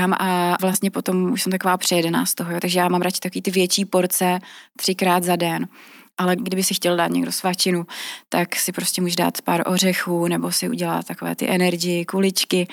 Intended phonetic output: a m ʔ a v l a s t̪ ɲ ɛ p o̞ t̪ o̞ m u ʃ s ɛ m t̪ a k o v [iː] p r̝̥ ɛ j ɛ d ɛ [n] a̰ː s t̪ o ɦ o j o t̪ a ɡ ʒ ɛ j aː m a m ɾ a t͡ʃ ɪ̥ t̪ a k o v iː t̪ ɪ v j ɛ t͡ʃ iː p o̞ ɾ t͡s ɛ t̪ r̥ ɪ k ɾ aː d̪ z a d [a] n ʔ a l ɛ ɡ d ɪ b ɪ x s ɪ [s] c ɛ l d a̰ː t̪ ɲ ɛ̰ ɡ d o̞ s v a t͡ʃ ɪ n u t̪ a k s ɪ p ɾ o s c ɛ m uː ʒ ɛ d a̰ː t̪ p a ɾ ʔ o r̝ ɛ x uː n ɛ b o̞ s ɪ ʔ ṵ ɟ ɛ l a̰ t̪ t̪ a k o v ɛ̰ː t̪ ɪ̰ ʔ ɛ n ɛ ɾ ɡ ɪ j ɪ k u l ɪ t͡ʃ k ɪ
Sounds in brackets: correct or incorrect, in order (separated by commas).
incorrect, correct, incorrect, incorrect